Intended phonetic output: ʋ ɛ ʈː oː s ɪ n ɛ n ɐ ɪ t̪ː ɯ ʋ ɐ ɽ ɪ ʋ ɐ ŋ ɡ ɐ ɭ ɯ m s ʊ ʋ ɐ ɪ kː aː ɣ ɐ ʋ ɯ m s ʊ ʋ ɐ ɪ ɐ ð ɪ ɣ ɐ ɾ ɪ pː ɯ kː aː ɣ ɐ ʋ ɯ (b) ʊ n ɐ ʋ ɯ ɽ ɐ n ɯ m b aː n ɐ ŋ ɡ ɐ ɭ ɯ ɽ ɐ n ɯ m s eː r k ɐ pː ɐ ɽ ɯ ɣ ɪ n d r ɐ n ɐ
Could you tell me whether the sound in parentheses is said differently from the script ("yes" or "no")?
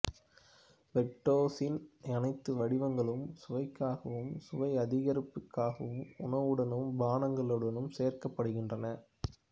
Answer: yes